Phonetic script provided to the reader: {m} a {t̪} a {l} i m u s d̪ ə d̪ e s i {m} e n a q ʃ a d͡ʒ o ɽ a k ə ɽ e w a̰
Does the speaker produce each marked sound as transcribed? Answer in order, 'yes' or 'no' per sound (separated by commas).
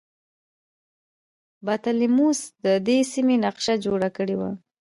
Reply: no, yes, yes, yes